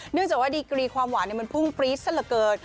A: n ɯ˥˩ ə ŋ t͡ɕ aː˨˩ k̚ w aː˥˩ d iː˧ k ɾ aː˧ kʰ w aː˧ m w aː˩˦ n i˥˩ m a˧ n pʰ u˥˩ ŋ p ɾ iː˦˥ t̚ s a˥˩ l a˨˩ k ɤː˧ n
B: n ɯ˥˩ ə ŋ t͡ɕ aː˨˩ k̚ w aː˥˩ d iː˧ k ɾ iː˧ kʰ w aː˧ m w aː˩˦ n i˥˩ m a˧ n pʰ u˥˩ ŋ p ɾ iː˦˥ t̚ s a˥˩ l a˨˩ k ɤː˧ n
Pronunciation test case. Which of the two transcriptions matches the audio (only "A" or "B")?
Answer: B